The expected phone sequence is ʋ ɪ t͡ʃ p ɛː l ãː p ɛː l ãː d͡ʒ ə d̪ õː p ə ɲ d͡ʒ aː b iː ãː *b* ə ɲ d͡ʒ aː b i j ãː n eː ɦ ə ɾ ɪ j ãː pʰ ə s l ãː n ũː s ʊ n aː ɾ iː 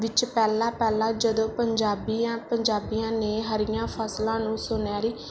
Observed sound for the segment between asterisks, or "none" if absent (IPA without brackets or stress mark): p